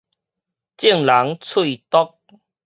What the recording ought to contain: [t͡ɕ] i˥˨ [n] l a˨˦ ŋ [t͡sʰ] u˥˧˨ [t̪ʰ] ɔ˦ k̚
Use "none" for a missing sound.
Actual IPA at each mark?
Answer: t͡ɕ, ŋ, t͡sʰ, t̪

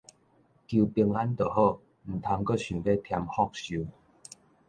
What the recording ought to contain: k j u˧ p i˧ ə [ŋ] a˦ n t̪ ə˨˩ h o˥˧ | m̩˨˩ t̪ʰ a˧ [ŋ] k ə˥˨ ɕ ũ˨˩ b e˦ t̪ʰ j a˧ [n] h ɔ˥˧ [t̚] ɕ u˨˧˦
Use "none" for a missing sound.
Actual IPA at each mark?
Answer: ŋ, ŋ, m, k̚

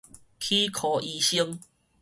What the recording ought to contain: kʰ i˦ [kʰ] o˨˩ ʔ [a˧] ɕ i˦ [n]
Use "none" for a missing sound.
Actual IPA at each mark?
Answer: kʰ, i˧, ŋ

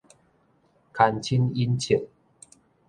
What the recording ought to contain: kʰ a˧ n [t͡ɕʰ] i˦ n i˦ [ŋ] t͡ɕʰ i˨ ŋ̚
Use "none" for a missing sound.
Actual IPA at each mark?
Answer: t͡ɕʰ, n

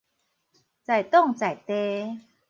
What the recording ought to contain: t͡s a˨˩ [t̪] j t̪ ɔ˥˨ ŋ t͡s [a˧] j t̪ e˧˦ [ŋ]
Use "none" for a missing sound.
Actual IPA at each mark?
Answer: none, a˨˩, none

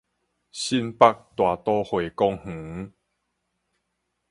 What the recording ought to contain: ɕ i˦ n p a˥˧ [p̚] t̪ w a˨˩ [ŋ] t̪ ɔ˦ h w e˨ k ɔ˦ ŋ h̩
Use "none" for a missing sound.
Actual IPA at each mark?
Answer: k̚, none

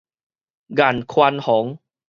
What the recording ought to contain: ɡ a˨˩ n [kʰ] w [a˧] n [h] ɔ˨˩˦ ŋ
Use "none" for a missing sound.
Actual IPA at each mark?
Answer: kʰ, a˧, h

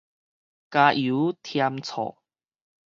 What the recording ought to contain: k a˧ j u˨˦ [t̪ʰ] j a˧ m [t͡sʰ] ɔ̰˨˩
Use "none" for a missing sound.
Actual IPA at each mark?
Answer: t̪ʰ, t͡sʰ

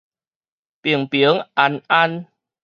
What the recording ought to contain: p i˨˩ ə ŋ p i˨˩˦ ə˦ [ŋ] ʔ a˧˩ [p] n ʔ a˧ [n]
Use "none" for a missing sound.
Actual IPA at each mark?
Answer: ŋ, none, n

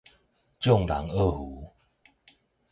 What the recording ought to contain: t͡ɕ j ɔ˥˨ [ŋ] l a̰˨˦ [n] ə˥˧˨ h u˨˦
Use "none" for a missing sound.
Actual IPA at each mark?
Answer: ŋ, ŋ

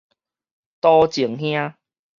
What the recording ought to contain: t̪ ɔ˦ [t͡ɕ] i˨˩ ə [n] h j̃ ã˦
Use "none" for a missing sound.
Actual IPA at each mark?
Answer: t͡ɕ, ŋ

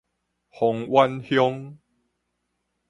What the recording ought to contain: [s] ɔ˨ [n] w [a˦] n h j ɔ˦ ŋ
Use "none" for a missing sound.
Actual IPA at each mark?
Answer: h, ŋ, a˦

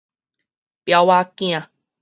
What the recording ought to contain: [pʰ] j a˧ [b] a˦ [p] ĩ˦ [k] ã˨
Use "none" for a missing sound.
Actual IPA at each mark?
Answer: p, w, k, none

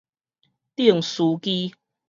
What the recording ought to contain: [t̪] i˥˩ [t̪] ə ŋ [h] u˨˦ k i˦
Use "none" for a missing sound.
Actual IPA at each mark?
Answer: t̪, none, s

